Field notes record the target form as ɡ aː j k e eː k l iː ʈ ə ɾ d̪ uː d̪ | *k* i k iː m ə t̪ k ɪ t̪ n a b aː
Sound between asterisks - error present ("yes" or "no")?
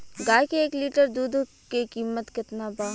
no